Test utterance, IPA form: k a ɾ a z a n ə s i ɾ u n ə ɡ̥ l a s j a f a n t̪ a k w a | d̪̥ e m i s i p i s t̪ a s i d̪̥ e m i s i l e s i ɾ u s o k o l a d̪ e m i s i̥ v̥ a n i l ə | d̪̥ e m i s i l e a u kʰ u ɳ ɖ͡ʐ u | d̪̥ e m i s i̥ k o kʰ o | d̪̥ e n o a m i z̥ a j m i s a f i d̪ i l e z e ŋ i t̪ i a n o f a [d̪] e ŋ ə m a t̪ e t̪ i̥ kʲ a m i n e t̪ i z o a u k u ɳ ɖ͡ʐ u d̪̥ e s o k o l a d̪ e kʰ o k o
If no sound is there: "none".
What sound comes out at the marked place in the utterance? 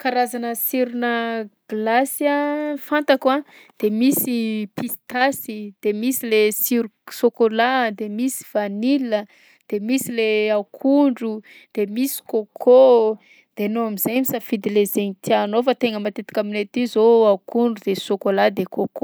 t̪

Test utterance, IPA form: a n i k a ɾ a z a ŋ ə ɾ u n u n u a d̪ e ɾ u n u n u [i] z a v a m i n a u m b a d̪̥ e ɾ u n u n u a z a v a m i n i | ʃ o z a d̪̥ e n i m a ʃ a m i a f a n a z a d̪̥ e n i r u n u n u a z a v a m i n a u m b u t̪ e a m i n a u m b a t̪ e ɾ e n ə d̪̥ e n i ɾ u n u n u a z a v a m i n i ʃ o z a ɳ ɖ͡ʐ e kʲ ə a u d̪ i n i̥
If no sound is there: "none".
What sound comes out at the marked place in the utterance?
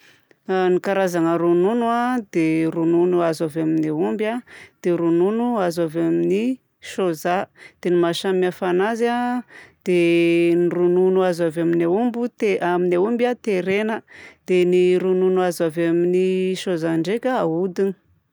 a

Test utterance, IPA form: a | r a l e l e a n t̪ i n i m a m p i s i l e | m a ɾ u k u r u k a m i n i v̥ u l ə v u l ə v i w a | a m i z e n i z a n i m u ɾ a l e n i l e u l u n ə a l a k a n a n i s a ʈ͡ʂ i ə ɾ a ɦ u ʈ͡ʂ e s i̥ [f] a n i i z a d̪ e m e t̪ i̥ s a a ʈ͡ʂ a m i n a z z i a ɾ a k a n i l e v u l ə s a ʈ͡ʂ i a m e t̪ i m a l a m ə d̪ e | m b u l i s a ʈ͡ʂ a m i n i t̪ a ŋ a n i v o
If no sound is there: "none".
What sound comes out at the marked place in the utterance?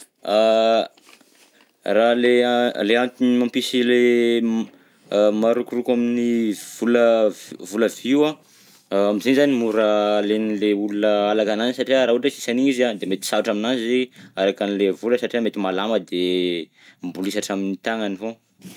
s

